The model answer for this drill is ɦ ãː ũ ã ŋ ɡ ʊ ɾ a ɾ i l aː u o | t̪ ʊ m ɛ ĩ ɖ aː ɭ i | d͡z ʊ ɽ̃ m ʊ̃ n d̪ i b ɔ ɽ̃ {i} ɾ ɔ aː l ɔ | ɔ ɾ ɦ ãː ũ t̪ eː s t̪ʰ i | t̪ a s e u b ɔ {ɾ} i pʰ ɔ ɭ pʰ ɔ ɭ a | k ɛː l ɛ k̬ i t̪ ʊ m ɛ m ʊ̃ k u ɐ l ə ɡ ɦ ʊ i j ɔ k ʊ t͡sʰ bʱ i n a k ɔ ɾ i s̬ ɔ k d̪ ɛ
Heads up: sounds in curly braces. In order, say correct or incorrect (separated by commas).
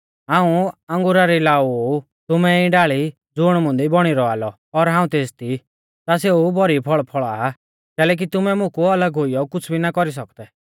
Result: correct, correct